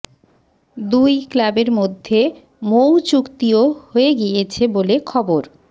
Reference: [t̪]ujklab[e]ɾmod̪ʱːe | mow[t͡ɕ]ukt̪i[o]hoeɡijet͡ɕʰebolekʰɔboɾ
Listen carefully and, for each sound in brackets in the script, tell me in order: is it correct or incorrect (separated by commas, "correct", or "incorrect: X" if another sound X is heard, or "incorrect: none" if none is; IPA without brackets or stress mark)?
incorrect: d̪, correct, correct, correct